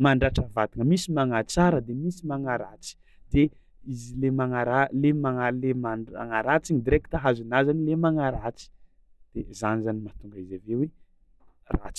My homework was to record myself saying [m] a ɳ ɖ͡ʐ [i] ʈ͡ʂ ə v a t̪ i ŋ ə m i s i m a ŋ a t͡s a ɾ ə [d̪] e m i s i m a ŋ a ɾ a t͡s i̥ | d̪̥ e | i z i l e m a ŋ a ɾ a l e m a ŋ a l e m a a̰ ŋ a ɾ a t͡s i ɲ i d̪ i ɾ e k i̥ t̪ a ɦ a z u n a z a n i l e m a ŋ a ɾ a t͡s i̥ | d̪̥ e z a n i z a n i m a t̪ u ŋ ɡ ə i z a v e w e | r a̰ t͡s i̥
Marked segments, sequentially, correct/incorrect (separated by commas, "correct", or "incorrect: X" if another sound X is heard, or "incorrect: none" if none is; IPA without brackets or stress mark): correct, incorrect: a, correct